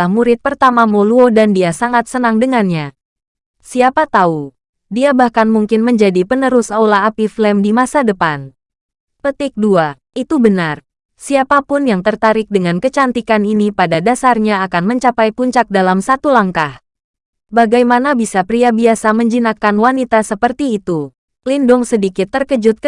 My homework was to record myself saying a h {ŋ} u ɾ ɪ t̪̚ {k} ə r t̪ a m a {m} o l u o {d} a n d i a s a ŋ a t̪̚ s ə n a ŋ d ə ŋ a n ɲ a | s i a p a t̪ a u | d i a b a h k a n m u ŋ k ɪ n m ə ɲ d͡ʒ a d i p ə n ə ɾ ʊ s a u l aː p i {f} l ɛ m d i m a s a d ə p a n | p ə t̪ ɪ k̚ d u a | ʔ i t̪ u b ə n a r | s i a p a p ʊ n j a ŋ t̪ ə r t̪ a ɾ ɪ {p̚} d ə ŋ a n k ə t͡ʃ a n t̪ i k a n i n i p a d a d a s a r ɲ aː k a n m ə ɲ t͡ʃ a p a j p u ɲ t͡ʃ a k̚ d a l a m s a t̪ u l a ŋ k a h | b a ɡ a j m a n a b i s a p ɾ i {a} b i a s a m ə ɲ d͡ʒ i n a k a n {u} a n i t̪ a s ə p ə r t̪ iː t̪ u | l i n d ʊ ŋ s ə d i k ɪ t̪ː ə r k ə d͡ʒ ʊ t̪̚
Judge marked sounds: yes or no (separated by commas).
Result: no, no, yes, yes, yes, no, yes, no